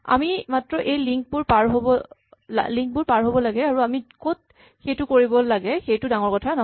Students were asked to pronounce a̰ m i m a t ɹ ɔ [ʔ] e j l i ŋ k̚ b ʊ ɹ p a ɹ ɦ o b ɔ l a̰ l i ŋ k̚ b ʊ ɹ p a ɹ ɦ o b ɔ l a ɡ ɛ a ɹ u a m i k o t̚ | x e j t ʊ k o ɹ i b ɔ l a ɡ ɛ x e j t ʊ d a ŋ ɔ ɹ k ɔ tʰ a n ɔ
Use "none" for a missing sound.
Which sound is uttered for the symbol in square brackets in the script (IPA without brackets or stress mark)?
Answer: ʔ